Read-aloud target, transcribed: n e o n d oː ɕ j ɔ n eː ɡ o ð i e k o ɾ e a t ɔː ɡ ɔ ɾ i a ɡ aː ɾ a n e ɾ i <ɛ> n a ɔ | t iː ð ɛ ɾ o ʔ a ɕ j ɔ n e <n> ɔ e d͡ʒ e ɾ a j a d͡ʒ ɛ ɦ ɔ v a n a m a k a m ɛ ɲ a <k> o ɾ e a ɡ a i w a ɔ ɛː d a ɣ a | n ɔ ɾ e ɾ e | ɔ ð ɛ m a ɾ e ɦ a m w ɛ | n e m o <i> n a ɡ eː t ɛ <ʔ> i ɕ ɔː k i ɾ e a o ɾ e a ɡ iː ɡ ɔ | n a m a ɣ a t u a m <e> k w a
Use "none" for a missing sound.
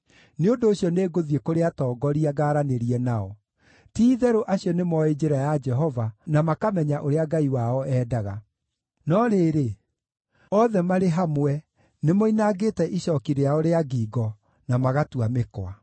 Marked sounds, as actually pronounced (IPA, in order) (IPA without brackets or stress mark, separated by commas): ɛ, m, ʔ, i, ʔ, e